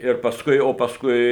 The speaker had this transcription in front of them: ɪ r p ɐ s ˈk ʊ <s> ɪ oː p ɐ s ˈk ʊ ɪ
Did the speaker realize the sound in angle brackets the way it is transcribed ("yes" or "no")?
no